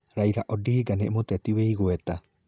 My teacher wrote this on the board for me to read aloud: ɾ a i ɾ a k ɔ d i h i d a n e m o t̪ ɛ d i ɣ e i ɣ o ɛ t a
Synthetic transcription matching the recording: ɾ a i ɾ a ʔ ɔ d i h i ɡ a n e m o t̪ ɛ t i w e i ɣ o ɛ t a